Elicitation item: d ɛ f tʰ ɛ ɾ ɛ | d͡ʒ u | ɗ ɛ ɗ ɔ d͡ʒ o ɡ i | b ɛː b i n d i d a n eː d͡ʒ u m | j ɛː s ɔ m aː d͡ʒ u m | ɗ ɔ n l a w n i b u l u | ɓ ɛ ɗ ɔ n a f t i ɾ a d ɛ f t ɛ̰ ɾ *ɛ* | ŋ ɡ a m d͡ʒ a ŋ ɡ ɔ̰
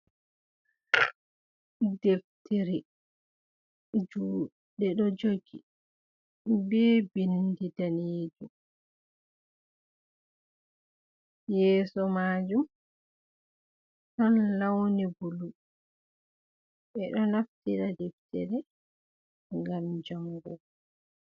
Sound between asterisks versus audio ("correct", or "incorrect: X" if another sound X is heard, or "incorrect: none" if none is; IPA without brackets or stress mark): correct